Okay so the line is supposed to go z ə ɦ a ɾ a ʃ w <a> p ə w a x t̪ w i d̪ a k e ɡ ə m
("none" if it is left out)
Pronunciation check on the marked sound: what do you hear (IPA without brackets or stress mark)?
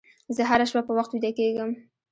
a